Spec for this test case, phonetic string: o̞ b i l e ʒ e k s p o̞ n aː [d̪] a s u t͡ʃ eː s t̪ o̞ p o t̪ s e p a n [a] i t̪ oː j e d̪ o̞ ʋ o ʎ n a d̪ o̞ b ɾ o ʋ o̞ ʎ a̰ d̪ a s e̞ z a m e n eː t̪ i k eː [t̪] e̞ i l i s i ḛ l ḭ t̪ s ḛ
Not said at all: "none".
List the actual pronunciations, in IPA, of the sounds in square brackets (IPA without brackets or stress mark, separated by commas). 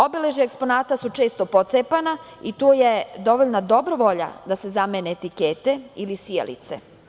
t̪, a, t̪